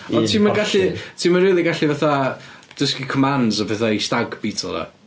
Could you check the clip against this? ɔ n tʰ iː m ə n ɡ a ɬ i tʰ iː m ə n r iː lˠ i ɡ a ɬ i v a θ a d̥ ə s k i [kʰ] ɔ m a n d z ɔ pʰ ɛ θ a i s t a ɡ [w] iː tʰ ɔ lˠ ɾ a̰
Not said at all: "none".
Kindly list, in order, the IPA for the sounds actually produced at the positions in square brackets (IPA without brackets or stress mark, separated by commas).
kʰ, b